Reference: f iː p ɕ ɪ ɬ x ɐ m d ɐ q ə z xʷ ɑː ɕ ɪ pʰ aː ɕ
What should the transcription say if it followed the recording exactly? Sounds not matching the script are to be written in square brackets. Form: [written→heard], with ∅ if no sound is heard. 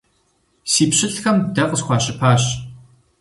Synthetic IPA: [f→s] iː p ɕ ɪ ɬ x ɐ m d ɐ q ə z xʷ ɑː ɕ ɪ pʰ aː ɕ